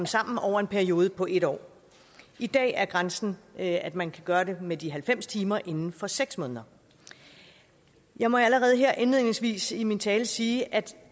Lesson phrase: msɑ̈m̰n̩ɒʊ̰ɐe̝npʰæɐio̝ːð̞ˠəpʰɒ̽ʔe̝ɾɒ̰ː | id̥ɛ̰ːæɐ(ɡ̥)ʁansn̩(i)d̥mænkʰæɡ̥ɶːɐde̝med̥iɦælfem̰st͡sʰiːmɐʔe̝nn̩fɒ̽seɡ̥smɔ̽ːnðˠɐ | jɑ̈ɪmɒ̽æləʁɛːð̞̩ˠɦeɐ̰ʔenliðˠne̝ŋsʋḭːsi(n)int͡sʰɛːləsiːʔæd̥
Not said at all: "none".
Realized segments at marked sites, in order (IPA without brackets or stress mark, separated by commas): ɡ̥, æ, m